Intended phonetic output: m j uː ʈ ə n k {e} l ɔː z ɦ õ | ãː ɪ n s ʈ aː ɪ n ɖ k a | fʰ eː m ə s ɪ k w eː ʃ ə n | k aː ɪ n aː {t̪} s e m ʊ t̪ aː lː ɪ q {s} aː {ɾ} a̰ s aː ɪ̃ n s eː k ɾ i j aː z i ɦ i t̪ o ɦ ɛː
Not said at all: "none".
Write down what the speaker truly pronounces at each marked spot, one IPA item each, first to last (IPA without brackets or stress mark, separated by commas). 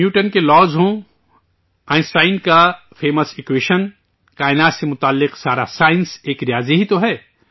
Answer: e, t̪, s, ɾ